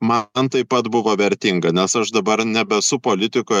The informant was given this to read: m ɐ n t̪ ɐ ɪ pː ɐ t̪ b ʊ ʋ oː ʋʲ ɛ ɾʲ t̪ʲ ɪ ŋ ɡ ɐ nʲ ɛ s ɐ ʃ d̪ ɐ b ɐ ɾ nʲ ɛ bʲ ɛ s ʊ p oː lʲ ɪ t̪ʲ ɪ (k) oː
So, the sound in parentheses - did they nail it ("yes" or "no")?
yes